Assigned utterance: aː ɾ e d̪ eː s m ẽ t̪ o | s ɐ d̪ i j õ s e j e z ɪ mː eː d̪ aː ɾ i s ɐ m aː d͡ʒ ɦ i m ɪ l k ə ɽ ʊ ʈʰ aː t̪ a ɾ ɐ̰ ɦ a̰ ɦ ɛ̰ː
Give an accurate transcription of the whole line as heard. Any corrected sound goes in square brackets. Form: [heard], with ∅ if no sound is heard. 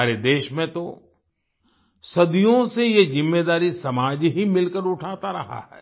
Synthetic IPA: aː ɾ e d̪ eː [ʃ] m ẽ t̪ o | s ɐ d̪ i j õ s e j e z ɪ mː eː d̪ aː ɾ i s ɐ m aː d͡ʒ ɦ i m ɪ l k ə [ɾ] ʊ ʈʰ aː t̪ a ɾ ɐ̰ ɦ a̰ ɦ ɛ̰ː